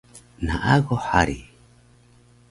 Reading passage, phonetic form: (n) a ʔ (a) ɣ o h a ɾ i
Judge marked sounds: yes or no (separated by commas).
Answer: yes, yes